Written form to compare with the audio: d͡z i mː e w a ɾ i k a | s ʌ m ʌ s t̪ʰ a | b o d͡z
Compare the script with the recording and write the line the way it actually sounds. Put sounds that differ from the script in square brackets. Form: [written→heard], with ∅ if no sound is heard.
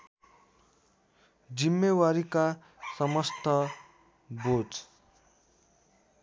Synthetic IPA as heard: d͡z i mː e w a ɾ i k a | s ʌ m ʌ s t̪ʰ [a→ʌ] | b o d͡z